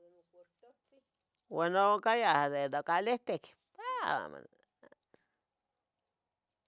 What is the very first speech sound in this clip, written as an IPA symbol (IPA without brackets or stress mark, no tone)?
w